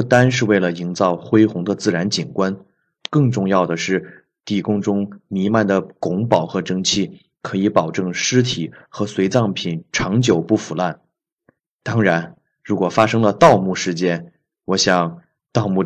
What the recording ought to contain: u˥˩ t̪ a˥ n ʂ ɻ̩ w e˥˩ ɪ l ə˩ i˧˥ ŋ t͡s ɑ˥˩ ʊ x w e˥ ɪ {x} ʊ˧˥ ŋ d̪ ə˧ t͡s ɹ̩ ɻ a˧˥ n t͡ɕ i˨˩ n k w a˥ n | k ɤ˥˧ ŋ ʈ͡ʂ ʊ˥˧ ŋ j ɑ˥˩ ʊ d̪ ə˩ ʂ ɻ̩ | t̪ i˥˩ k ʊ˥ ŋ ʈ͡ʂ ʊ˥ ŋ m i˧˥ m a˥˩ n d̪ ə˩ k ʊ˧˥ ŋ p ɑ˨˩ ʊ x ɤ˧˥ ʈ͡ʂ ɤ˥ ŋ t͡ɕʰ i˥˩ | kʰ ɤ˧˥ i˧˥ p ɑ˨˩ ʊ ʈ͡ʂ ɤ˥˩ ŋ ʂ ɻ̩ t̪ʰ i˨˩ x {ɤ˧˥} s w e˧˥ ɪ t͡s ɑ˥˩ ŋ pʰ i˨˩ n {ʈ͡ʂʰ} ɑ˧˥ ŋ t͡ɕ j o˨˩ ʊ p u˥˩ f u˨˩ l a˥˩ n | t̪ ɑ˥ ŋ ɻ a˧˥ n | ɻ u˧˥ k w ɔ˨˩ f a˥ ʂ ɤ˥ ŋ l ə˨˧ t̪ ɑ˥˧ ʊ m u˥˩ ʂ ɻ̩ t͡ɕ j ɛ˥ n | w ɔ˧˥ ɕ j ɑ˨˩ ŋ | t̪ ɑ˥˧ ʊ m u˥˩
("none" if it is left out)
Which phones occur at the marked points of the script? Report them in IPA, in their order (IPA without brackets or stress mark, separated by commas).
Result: x, ɤ˧˥, ʈ͡ʂʰ